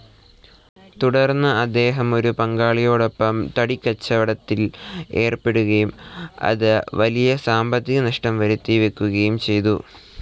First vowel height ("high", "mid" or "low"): high